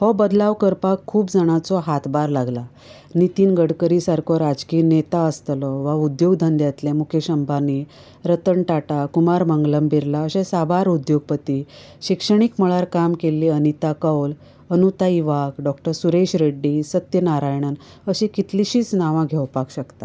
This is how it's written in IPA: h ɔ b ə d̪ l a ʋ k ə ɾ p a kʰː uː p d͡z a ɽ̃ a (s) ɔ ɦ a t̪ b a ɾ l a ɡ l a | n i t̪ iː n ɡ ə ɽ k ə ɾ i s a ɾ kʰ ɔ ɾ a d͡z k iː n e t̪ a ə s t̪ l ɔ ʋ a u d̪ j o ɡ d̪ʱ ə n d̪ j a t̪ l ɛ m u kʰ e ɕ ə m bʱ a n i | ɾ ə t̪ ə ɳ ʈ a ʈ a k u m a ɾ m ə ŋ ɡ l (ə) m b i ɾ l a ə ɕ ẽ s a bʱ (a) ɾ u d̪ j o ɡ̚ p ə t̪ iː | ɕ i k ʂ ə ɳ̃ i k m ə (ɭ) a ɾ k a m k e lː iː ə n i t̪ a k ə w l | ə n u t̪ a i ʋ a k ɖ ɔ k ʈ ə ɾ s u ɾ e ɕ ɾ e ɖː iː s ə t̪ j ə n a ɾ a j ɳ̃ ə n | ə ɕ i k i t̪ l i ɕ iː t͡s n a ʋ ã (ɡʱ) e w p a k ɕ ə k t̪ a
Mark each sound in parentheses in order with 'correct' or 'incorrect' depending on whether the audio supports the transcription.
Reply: incorrect, correct, correct, correct, correct

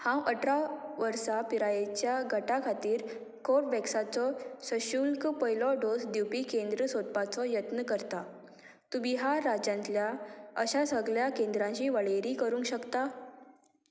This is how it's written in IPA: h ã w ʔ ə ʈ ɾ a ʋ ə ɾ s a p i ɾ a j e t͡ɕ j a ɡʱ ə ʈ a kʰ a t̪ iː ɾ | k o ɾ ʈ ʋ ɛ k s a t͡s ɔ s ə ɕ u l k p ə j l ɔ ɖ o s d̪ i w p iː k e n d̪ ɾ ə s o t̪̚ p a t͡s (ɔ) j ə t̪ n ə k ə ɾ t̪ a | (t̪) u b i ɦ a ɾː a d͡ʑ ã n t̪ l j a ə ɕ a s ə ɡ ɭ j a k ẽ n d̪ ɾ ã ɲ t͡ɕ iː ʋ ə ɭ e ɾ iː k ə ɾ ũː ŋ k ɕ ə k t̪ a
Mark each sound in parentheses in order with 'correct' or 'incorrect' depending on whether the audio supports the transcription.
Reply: correct, correct

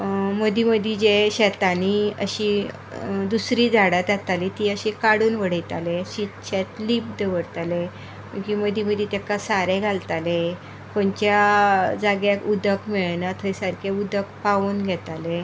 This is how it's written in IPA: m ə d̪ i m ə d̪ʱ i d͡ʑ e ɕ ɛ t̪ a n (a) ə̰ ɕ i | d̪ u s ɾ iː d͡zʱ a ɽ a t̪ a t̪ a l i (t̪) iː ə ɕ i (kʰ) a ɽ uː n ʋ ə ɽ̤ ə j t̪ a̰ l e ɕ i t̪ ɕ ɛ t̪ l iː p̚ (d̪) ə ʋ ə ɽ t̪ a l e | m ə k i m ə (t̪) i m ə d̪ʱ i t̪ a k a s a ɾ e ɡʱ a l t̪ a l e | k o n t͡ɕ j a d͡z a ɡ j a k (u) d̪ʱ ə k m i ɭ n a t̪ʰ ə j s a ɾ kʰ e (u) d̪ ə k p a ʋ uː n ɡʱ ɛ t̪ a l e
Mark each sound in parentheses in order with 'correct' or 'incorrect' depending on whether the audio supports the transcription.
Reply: incorrect, correct, incorrect, correct, incorrect, correct, correct

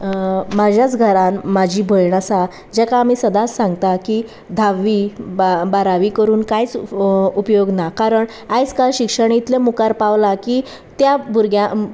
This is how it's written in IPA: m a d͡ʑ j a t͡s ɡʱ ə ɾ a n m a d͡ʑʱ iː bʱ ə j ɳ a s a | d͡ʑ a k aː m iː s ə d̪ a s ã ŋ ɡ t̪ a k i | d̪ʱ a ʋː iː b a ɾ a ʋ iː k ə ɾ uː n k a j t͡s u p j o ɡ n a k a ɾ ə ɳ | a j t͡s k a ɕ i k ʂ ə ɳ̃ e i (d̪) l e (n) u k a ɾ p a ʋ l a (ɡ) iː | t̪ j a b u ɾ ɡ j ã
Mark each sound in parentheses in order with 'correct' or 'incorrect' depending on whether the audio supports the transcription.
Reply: incorrect, incorrect, incorrect

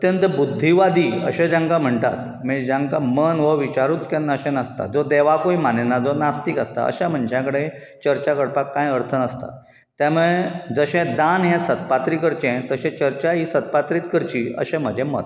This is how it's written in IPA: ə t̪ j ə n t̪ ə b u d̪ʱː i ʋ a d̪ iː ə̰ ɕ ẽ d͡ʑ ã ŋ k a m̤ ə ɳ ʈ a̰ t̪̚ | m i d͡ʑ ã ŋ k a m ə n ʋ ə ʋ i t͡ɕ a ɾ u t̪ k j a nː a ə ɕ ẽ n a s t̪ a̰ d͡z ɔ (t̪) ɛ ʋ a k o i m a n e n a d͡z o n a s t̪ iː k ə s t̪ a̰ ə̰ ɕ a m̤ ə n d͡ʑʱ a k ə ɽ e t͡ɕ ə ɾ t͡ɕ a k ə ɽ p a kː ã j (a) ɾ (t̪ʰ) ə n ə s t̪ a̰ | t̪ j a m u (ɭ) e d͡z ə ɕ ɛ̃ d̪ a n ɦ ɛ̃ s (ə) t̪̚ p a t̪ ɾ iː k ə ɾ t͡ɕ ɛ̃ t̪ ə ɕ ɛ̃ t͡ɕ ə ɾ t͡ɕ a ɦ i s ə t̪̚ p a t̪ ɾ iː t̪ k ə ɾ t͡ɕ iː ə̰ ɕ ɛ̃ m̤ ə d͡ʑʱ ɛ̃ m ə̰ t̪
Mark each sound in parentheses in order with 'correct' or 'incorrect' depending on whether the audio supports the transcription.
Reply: incorrect, incorrect, correct, correct, correct

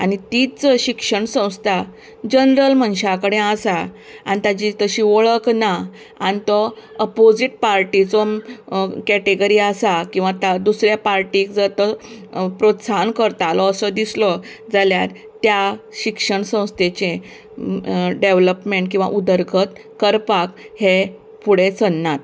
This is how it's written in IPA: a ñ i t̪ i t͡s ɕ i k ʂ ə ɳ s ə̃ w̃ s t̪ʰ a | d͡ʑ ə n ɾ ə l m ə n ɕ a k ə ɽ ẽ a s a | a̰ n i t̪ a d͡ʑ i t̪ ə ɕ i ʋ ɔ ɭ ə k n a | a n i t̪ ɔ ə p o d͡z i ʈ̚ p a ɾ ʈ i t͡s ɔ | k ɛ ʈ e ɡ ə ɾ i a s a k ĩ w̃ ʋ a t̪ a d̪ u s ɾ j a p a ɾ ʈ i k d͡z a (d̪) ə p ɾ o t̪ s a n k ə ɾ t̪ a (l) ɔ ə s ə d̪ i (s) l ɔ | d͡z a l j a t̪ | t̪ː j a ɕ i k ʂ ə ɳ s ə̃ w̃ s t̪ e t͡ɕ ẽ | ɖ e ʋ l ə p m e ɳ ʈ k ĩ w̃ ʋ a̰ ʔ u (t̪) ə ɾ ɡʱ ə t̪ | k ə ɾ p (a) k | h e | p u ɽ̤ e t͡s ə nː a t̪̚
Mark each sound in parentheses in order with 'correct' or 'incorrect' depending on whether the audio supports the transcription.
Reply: incorrect, correct, correct, incorrect, correct

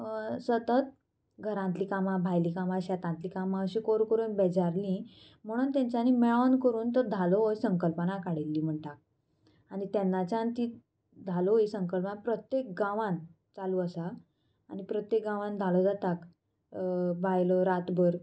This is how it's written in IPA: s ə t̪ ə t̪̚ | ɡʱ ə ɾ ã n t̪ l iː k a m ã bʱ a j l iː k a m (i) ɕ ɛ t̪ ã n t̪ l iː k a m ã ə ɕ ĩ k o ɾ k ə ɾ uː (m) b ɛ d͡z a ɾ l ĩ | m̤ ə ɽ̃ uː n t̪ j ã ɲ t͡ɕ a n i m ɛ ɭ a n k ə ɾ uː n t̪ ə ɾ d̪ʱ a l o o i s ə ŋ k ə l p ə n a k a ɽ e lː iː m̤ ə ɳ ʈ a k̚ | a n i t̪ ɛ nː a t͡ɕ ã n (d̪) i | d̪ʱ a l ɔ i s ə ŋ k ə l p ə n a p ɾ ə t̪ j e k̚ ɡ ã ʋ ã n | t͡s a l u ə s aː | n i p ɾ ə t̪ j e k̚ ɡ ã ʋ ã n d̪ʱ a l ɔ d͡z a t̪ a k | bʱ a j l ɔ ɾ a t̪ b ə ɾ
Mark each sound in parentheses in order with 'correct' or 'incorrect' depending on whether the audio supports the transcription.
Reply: incorrect, incorrect, incorrect

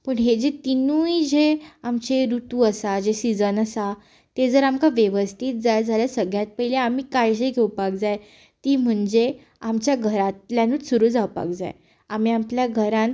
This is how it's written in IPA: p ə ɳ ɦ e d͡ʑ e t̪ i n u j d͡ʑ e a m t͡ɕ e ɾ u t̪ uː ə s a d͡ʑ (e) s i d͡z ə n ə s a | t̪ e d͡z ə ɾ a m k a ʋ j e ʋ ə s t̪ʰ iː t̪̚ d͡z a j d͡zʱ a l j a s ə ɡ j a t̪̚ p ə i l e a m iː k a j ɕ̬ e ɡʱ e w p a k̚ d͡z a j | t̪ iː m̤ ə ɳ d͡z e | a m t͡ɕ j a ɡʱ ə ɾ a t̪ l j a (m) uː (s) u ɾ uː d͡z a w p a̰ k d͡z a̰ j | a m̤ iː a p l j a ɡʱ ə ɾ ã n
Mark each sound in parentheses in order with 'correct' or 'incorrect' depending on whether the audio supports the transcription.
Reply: correct, incorrect, correct

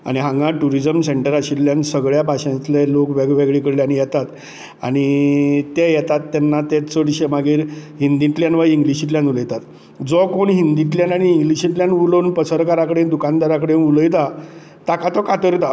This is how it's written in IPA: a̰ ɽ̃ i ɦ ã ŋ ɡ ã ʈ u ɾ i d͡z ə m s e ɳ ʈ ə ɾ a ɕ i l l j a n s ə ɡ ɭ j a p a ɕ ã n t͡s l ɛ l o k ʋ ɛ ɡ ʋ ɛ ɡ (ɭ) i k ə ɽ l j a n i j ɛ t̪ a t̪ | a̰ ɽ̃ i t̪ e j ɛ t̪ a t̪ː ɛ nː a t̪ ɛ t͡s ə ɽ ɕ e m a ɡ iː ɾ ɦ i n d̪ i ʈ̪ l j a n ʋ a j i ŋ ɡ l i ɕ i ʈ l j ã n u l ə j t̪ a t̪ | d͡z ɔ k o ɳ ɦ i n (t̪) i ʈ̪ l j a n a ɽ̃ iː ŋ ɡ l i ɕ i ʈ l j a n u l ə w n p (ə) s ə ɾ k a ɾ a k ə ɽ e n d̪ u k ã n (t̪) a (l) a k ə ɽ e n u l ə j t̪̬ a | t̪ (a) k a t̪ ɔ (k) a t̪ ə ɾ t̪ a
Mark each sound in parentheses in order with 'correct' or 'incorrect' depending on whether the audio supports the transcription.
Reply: correct, incorrect, correct, incorrect, incorrect, correct, correct

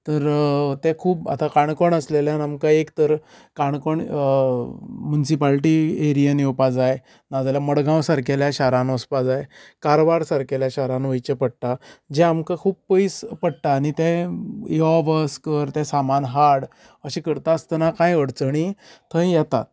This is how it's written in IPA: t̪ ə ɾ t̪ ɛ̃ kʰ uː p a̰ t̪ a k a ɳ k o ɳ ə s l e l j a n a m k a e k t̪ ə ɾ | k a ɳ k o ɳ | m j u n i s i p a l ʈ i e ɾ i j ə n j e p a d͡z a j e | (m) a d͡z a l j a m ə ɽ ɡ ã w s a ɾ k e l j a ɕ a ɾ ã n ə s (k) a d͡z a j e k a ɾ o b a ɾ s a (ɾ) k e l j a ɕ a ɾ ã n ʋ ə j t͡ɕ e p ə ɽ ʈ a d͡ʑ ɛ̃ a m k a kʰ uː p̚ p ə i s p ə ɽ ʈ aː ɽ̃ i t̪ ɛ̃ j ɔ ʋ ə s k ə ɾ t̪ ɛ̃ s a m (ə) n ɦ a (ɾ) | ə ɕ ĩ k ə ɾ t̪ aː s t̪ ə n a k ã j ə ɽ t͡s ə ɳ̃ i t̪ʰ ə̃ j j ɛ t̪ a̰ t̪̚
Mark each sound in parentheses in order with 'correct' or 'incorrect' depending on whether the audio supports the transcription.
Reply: incorrect, incorrect, correct, incorrect, incorrect

